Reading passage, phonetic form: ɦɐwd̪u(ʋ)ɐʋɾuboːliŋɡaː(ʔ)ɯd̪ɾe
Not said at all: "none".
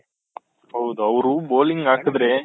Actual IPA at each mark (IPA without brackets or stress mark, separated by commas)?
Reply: none, k